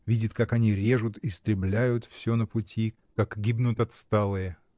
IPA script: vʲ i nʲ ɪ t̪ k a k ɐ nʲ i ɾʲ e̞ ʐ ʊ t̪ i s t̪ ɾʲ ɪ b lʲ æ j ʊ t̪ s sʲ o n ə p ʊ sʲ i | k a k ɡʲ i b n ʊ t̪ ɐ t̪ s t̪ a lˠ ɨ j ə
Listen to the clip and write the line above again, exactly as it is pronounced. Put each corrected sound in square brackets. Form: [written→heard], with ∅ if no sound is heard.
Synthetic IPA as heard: vʲ i [nʲ→dʲ] ɪ t̪ k a k ɐ nʲ i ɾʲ e̞ ʐ ʊ t̪ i s t̪ ɾʲ ɪ b lʲ æ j ʊ t̪ [s→f] sʲ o n ə p ʊ [sʲ→tʲ] i | k a k ɡʲ i b n ʊ t̪ ɐ t̪ s t̪ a lˠ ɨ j ə

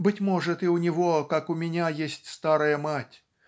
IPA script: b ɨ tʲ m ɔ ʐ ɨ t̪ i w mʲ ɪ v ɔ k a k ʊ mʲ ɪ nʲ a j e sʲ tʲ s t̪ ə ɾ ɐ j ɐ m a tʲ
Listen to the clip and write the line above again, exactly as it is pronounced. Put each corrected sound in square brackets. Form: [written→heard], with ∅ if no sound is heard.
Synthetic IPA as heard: b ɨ tʲ m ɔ ʐ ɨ t̪ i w [mʲ→nʲ] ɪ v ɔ k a k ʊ mʲ ɪ nʲ a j e sʲ tʲ s t̪ [ə→a] ɾ ɐ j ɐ m a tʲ

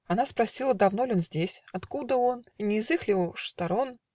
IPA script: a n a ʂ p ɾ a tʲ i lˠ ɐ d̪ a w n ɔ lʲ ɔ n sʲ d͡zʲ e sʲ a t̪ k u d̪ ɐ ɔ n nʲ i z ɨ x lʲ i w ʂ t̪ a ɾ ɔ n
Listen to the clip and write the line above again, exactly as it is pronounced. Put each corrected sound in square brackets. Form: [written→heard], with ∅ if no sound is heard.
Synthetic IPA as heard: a n a [ʂ→s] p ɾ a [tʲ→sʲ] i lˠ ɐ d̪ a w n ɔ lʲ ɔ n [sʲ→zʲ] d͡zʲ e sʲ a t̪ k u d̪ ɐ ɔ n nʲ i z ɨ x lʲ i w ʂ t̪ a ɾ ɔ n

